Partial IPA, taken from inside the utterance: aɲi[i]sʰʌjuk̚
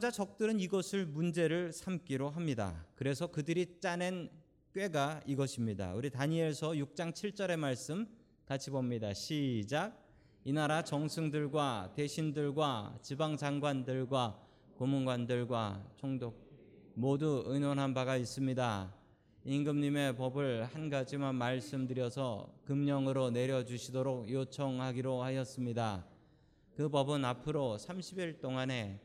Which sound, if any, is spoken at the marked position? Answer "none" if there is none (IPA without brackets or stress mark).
e